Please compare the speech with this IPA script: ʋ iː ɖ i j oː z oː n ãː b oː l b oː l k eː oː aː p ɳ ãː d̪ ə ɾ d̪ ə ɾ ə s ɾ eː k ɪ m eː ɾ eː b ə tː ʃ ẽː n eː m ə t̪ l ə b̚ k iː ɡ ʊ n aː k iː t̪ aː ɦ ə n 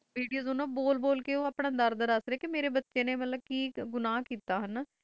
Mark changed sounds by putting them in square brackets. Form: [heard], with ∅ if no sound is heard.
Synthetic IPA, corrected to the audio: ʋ iː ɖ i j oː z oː n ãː b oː l b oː l k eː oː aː p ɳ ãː d̪ ə ɾ d̪ ə ɾ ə s ɾ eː k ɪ m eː ɾ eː b ə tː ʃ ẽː n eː m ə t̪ l ə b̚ k iː ɡ ʊ n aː k iː t̪ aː ɦ ə n